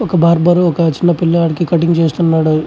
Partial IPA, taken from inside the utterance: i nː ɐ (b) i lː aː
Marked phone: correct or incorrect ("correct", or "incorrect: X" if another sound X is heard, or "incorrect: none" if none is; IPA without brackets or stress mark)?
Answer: incorrect: p